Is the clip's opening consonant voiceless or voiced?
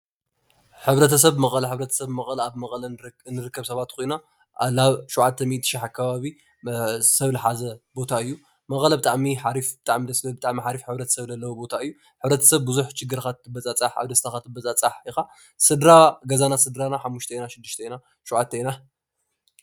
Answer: voiceless